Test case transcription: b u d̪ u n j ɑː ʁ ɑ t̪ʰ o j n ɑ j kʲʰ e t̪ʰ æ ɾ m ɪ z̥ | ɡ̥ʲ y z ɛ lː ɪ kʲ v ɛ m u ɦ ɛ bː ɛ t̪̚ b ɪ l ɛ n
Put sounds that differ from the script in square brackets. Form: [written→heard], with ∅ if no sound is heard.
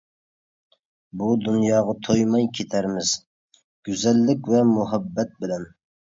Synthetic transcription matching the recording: b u d̪ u n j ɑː ʁ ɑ t̪ʰ o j [n→m] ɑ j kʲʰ e t̪ʰ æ ɾ m ɪ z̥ | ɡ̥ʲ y z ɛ lː ɪ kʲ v ɛ m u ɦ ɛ bː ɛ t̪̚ b ɪ l ɛ n